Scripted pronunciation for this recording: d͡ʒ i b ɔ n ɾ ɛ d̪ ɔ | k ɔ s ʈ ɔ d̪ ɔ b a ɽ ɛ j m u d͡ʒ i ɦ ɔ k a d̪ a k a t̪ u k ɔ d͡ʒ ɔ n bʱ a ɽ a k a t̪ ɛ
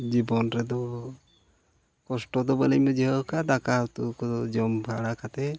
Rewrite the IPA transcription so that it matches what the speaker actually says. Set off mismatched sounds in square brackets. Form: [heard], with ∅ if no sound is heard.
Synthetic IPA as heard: d͡ʒ i b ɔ n ɾ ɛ d̪ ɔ | k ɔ s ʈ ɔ d̪ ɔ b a [l] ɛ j m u d͡ʒ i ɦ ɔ k a d̪ a k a t̪ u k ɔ d͡ʒ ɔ [m] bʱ a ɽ a k a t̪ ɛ